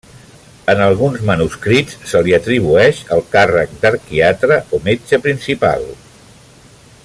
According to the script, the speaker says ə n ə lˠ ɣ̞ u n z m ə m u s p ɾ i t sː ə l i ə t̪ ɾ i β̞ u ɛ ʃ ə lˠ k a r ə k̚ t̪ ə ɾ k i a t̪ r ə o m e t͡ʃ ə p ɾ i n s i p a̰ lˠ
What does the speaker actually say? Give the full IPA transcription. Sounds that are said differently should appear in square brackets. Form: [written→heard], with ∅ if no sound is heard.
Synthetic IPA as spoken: ə n ə lˠ ɣ̞ u n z m ə [m→n] u s [p→k] ɾ i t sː ə l i ə t̪ ɾ i β̞ u ɛ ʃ ə lˠ k a r ə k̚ [t̪→d̪] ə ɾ k i a t̪ [r→ɾ] ə o m e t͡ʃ ə p ɾ i n s i p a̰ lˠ